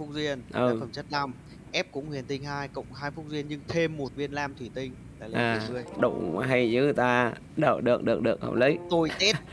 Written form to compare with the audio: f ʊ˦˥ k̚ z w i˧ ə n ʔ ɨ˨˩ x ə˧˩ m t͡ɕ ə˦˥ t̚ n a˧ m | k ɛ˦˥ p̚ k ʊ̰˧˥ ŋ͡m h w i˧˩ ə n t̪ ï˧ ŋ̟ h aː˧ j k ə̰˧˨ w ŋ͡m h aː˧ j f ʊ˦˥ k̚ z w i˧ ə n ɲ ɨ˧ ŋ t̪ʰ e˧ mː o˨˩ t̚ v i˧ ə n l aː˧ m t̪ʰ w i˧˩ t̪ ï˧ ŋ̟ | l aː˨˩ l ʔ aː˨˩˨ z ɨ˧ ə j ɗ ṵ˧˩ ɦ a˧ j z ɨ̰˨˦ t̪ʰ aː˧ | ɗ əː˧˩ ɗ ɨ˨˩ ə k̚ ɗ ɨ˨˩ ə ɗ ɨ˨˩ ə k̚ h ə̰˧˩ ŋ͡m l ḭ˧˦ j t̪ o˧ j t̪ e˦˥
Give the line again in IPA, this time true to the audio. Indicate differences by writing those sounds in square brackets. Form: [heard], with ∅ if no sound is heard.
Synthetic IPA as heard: f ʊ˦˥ k̚ z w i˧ ə n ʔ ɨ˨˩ [f] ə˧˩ m t͡ɕ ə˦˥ t̚ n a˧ m | [ʔ] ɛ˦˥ p̚ k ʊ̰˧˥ ŋ͡m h w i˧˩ ə n t̪ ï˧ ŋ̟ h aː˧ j k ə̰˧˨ w ŋ͡m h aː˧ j f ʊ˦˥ k̚ z w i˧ ə n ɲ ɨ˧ ŋ t̪ʰ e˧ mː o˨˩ t̚ v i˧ ə n l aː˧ m t̪ʰ w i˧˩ t̪ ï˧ ŋ̟ | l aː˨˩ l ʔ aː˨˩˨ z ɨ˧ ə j ɗ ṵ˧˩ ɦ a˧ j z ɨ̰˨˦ [t̪] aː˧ | ɗ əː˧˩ ɗ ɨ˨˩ ə k̚ ɗ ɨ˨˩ ə ɗ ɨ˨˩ ə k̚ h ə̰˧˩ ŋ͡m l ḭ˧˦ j t̪ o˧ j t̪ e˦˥